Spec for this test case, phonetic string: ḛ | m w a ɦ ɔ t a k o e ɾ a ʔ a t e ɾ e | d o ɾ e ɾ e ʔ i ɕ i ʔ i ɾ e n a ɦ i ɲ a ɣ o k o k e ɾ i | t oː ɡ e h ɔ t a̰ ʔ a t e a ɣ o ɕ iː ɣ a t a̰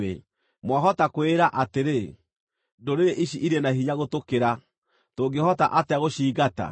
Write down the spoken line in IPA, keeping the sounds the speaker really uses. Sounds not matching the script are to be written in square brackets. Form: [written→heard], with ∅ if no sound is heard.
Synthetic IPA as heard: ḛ | m w a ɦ ɔ t a k o e ɾ a ʔ a t e ɾ e | d o ɾ e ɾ e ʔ i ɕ i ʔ i ɾ e n a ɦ i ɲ a ɣ o [k→t] o k e ɾ [i→a] | t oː ɡ e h ɔ t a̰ ʔ a t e a ɣ o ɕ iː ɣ a t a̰